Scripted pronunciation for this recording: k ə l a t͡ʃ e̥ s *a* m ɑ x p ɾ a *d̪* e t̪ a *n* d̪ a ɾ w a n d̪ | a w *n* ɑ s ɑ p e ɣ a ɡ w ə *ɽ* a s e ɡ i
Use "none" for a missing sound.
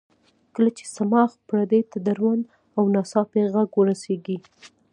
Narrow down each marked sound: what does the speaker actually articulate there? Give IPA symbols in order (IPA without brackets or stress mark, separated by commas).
a, d̪, none, n, ɾ